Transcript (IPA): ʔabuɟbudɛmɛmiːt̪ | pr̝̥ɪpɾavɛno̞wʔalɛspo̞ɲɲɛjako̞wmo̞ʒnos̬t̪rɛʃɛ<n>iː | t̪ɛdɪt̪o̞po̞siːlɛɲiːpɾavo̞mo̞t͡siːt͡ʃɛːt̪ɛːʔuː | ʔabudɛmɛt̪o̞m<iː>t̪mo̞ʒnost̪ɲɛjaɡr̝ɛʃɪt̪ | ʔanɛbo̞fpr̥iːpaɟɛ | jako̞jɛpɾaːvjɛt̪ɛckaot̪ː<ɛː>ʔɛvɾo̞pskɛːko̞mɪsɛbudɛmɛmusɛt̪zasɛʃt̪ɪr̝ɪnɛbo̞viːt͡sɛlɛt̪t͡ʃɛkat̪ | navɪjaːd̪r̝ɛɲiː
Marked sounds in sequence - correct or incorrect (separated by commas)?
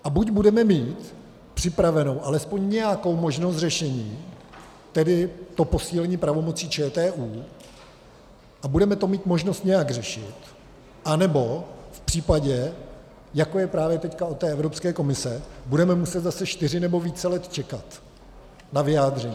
incorrect, correct, correct